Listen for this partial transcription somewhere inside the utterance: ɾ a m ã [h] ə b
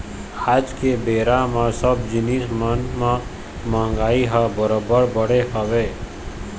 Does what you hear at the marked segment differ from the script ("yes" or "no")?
yes